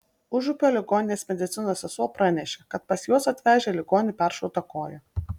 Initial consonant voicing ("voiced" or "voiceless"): voiced